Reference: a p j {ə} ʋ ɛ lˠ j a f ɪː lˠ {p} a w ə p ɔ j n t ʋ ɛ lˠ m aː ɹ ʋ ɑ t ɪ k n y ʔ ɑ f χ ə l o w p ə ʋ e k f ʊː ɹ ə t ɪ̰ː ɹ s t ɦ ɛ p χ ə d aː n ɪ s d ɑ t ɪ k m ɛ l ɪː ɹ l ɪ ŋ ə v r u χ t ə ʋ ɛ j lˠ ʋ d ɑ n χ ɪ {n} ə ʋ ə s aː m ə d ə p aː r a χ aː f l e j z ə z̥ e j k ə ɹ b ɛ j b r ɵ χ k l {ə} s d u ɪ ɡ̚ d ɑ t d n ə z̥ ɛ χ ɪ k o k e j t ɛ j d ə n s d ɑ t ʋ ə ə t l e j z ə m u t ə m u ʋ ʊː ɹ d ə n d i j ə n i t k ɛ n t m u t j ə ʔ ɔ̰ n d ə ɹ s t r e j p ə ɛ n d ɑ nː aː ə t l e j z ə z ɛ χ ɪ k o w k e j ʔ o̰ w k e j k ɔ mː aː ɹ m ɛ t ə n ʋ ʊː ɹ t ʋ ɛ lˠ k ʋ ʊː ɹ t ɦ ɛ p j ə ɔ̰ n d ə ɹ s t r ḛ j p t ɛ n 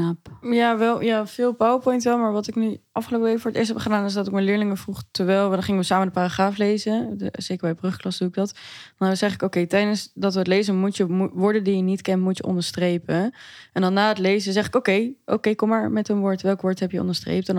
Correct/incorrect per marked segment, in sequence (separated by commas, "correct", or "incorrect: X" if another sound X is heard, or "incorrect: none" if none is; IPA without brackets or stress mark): incorrect: a, correct, incorrect: ŋ, incorrect: ɑ